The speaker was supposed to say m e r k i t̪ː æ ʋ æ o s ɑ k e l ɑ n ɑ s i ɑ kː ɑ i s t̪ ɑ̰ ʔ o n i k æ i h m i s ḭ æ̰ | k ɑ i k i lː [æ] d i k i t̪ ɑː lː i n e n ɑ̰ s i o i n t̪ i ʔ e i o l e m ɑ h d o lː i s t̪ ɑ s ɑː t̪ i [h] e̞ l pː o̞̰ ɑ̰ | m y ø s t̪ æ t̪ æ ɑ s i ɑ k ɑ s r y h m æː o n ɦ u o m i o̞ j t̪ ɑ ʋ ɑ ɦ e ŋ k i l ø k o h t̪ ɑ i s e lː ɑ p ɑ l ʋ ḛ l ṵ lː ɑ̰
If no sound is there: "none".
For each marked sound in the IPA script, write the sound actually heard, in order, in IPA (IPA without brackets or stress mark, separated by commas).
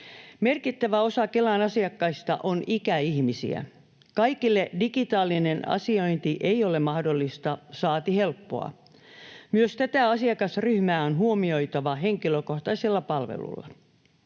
e, h